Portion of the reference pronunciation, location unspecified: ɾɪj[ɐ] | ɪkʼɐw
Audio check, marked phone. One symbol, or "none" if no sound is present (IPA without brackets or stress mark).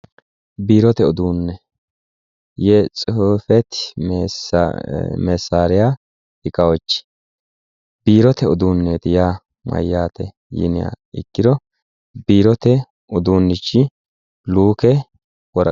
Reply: a